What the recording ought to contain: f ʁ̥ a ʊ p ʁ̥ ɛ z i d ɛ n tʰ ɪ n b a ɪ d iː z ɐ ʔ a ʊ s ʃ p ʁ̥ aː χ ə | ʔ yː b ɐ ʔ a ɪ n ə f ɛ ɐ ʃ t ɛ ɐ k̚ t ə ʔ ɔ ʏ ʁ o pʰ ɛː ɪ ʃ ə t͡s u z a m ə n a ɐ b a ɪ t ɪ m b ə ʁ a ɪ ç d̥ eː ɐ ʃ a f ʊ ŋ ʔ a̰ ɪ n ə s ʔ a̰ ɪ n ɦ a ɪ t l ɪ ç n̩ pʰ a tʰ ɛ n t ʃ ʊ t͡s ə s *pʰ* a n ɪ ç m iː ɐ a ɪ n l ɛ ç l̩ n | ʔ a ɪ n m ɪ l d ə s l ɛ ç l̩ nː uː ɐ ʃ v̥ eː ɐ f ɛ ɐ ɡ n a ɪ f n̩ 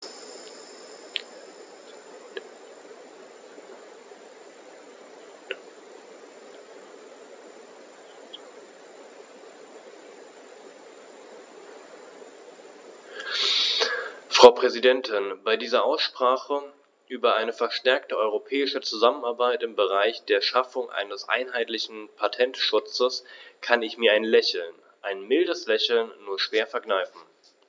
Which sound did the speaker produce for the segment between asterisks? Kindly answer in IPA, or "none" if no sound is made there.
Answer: kʰ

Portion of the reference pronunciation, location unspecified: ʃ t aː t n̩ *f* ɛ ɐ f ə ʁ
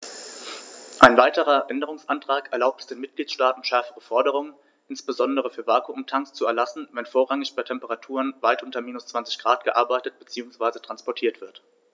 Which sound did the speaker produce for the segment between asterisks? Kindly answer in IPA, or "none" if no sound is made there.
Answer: ʃ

